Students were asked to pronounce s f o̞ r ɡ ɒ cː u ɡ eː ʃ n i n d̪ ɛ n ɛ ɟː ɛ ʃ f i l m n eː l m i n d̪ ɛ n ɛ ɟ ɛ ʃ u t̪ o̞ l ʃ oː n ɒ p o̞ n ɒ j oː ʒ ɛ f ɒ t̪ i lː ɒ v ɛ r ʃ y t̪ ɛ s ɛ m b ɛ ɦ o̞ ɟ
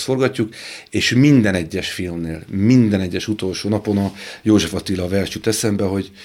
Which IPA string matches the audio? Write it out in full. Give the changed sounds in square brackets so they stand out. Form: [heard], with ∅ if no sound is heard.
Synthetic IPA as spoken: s f o̞ r ɡ ɒ cː u [k] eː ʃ [m] i n d̪ ɛ n ɛ ɟː ɛ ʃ f i l m n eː l m i n d̪ ɛ n ɛ [ɟː] ɛ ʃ u t̪ o̞ l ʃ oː n ɒ p o̞ n ɒ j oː ʒ ɛ f ɒ t̪ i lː ɒ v ɛ r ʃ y t̪ ɛ s ɛ m b ɛ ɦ o̞ ɟ